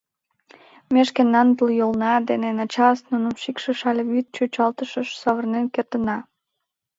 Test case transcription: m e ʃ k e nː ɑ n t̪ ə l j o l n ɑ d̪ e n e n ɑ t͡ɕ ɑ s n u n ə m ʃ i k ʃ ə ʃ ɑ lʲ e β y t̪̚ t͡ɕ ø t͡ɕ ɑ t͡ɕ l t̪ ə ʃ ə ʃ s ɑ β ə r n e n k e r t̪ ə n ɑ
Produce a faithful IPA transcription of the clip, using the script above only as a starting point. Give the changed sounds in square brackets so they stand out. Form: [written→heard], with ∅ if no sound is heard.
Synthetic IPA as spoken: m e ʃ k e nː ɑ n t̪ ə l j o l n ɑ d̪ e n e n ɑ t͡ɕ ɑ s n u n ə m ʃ i k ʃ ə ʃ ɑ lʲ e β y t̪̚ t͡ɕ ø t͡ɕ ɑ [t͡ɕ→∅] l t̪ ə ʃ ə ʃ s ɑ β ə r n e n k e r t̪ ə n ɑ